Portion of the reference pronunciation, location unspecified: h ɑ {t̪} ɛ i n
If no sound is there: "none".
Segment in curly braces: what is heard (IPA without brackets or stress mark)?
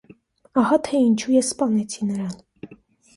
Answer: t̪ʰ